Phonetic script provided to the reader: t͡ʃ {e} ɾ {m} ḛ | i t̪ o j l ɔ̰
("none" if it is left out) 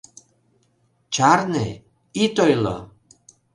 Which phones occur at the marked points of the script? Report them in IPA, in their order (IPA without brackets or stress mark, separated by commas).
a, n